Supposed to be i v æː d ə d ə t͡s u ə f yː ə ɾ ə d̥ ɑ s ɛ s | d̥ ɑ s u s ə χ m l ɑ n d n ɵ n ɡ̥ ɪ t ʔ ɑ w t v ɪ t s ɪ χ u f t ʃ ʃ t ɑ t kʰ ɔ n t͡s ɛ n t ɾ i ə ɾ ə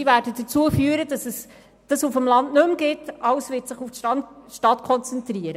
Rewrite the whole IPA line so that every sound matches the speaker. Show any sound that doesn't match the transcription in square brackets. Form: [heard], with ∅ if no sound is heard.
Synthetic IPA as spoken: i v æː d ə d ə t͡s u ə f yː ə ɾ ə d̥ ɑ s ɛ s | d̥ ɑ s u [f] ə [∅] m l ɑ n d n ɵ [m] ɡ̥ ɪ t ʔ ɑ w [s] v ɪ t s ɪ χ u f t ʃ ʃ t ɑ t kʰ ɔ n t͡s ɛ n t ɾ i ə ɾ ə